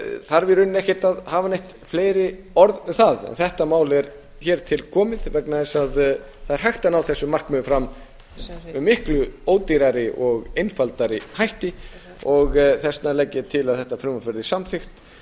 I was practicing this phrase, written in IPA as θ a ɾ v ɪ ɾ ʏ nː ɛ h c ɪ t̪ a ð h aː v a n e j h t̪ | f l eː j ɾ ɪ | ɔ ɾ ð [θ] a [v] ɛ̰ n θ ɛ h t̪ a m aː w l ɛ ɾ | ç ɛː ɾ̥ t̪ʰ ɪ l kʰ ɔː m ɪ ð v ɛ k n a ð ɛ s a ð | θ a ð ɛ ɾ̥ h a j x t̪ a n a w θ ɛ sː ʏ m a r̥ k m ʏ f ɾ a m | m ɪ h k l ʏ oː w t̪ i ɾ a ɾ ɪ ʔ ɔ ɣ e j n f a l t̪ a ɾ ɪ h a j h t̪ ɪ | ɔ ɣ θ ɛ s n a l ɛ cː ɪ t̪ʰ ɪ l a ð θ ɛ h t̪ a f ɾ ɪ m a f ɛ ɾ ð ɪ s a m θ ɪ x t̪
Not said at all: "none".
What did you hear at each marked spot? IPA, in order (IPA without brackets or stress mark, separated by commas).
θ, ð